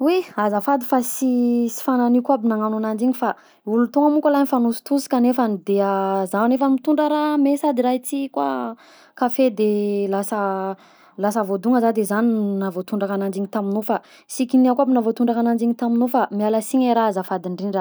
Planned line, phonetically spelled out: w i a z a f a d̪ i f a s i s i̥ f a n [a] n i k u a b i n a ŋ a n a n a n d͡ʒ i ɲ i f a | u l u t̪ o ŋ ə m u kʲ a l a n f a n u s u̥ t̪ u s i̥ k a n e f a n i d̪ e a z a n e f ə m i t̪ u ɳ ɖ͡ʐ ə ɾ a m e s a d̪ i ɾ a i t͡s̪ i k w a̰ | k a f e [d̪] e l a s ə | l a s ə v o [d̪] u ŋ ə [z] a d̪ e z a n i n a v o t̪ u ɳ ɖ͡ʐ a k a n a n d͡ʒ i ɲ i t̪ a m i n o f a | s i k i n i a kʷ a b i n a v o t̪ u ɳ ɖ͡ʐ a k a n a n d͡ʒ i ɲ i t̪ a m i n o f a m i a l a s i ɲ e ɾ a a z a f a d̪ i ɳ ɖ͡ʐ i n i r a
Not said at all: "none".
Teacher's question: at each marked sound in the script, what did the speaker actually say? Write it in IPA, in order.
a, d̪, d̪, z

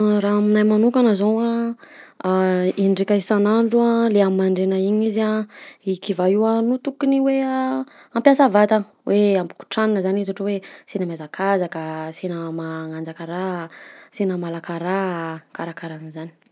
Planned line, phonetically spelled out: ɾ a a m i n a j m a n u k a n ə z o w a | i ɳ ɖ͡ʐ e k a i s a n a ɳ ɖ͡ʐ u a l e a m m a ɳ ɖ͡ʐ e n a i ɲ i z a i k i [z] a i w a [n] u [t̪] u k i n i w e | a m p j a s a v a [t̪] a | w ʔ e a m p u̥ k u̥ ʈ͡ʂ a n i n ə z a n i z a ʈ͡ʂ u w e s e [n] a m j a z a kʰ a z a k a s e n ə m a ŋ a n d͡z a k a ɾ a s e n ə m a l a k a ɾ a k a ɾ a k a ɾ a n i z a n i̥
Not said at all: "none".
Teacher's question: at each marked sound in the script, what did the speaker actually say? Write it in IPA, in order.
v, n, t̪, t̪, n

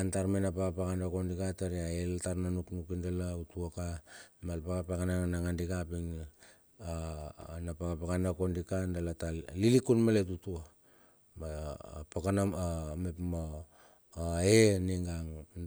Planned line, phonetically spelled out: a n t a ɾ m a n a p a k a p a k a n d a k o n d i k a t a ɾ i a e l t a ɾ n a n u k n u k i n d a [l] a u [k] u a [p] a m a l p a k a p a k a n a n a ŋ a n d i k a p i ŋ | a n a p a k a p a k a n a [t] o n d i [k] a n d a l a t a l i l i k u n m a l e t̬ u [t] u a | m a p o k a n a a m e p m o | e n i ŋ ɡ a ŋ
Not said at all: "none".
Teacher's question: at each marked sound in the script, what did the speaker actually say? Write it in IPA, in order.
l, t, k, k, k, t

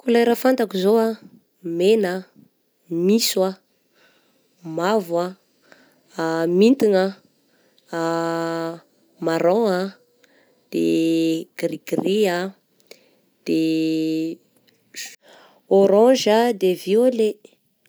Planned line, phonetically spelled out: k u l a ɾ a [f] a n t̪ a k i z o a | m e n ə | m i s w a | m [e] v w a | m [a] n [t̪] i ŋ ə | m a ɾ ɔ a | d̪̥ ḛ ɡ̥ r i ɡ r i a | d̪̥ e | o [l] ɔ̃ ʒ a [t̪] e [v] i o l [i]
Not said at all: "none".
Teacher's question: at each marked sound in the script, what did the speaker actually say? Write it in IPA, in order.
f, a, i, t̪, ɾ, d̪, v, e

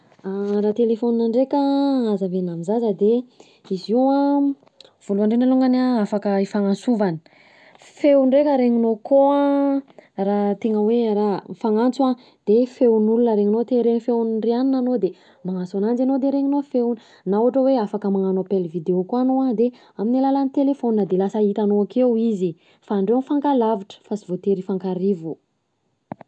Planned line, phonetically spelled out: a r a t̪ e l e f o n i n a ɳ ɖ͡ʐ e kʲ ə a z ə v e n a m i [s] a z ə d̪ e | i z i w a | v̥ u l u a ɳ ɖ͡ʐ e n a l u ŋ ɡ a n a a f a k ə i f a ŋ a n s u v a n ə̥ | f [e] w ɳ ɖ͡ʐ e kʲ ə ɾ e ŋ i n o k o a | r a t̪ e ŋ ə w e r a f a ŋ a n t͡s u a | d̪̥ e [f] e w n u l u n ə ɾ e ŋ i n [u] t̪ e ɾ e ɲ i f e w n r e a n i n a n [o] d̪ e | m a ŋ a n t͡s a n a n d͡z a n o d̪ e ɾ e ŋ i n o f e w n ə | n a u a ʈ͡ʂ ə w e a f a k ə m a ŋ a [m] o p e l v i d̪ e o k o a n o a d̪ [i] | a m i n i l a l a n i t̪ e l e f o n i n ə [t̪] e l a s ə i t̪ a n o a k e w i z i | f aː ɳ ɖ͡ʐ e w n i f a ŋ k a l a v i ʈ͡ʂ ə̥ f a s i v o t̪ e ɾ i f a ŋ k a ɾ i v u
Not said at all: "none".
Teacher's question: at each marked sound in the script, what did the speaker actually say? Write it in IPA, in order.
z, e, f, o, o, n, e, d̪

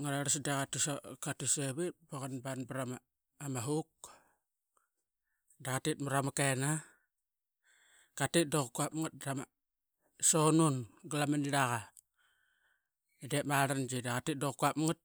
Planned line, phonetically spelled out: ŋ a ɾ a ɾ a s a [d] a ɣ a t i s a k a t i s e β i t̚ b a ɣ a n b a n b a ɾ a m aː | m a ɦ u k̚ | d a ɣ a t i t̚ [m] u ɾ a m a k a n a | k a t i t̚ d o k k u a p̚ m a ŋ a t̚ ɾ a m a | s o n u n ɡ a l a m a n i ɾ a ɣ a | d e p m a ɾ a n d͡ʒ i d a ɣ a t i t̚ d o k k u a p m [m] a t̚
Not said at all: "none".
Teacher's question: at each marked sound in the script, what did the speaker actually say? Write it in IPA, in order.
d, m, ŋ

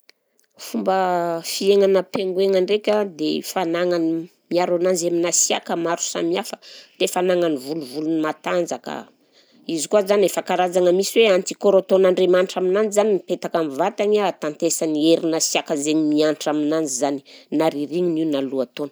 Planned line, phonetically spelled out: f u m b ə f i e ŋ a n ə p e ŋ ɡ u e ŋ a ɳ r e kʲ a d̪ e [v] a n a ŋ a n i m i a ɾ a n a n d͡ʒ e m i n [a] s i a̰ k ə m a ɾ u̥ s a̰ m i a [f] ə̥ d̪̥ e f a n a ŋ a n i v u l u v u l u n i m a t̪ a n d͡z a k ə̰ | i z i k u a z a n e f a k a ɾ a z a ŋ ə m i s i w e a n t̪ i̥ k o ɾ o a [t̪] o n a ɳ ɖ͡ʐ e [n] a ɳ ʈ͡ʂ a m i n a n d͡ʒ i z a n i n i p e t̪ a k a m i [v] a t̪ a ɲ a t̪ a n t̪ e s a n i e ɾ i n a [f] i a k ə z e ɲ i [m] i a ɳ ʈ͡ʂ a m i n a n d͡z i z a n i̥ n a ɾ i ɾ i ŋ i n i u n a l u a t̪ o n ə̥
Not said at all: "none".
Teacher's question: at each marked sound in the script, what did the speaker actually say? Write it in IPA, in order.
f, a, f, t̪, m, v, s, m

